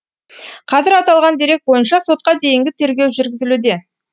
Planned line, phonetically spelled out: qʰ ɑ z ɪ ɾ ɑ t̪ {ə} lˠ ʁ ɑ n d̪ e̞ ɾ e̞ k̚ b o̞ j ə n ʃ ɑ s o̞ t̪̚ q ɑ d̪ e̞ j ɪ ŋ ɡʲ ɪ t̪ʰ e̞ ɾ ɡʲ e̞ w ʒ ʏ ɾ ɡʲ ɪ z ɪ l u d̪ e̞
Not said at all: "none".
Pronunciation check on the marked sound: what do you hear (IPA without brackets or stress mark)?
ɑ